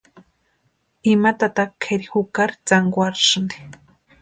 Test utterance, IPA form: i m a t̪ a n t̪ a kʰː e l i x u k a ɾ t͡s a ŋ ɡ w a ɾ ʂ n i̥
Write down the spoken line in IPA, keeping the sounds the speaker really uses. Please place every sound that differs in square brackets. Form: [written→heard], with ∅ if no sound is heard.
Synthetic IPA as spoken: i m a t̪ a [n→∅] t̪ a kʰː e [l→ɾ] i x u k a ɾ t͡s a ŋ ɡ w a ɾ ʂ n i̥